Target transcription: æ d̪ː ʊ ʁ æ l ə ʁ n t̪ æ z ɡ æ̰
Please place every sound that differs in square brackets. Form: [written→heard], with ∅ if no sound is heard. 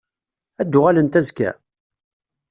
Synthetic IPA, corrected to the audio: æ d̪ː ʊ ʁ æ l ə [ʁ→∅] n t̪ æ z [ɡ→k] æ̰